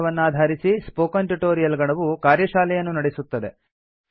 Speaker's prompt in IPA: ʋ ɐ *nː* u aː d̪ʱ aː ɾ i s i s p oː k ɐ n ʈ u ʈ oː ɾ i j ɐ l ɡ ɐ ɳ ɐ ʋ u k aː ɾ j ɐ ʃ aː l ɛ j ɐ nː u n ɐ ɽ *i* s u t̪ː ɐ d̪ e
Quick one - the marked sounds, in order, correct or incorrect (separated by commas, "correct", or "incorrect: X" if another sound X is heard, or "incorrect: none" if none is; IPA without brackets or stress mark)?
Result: correct, incorrect: e